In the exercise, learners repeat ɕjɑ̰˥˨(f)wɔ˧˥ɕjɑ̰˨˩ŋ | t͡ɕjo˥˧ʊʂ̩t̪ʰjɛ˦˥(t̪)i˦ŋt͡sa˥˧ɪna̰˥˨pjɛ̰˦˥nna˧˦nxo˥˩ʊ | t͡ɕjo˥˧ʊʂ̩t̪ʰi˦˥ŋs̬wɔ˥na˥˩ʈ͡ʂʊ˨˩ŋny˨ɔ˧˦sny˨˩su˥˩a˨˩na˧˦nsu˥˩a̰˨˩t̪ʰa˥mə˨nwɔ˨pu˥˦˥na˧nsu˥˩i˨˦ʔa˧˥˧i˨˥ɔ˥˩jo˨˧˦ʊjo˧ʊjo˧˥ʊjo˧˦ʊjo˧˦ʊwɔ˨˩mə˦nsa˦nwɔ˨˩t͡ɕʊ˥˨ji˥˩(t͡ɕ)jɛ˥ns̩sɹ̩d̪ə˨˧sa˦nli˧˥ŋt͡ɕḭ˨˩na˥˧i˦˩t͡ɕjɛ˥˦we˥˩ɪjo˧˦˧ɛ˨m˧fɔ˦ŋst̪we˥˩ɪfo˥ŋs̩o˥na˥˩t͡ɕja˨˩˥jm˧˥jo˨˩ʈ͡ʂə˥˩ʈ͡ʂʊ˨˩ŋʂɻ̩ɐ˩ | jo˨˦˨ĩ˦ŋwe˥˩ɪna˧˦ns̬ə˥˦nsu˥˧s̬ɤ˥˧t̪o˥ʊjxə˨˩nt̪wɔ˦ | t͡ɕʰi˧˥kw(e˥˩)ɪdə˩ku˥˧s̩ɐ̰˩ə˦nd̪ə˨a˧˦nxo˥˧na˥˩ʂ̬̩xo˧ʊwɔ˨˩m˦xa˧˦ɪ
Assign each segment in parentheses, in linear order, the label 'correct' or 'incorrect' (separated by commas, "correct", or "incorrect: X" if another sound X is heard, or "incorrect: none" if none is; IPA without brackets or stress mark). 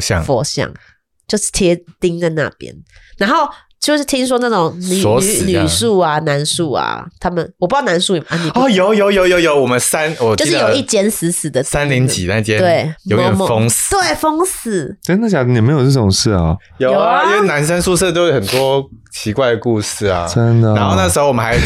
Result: correct, correct, correct, incorrect: a˥˩